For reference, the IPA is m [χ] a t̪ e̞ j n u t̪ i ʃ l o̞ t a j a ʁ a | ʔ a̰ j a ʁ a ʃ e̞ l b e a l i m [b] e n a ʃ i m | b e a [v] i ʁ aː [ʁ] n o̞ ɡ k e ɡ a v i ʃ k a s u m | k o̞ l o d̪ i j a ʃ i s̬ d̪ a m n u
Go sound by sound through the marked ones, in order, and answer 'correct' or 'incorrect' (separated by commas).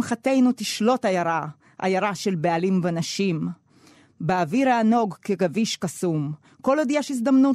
correct, incorrect, correct, incorrect